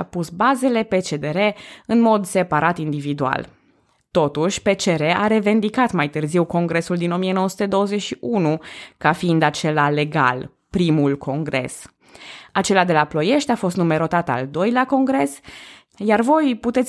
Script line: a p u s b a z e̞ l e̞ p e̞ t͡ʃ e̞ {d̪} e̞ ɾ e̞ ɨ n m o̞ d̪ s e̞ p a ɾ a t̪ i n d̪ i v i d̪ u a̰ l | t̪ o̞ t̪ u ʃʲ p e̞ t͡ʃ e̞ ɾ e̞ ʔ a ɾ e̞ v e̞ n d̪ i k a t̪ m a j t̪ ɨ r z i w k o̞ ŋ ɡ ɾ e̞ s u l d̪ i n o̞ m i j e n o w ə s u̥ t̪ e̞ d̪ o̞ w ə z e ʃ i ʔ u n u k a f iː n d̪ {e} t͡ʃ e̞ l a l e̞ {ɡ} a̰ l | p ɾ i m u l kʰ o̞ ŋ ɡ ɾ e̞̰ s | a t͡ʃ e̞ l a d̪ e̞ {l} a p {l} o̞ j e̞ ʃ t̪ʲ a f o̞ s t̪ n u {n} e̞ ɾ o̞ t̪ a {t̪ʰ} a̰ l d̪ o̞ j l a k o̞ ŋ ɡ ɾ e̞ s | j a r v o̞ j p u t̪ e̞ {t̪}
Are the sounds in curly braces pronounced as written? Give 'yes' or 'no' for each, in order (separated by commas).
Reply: yes, no, yes, yes, yes, no, no, yes